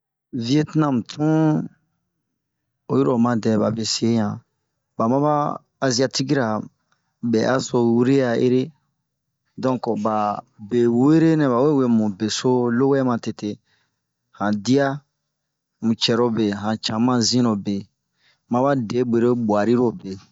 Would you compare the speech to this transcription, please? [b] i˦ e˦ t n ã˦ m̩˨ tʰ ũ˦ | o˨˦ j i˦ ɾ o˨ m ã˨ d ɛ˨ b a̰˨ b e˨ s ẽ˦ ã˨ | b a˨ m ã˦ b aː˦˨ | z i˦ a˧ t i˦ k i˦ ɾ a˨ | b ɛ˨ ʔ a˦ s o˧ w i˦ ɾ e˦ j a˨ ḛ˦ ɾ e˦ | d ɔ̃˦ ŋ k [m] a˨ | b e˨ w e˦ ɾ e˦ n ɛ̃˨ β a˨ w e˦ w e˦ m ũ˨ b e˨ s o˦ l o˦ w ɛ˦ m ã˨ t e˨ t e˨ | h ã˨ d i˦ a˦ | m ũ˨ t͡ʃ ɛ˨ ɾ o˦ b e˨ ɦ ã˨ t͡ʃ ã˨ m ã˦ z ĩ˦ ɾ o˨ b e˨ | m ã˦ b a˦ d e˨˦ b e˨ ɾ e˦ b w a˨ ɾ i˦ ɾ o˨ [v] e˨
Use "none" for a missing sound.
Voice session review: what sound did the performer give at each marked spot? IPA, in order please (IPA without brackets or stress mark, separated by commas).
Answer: v, b, b